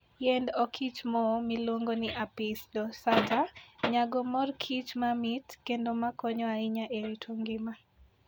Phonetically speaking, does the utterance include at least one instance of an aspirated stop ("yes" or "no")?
yes